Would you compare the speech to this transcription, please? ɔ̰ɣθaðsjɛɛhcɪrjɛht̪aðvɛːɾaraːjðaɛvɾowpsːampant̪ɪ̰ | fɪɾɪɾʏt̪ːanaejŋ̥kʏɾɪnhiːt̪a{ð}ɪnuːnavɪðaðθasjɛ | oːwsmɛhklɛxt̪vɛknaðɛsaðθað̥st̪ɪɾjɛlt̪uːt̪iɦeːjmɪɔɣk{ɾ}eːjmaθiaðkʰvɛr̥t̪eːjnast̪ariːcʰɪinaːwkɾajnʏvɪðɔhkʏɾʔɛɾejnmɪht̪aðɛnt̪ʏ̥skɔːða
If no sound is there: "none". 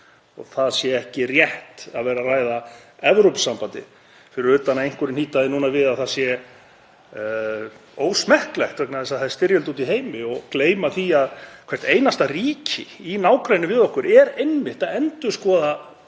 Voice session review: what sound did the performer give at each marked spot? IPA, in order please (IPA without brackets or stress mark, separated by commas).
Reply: ð, l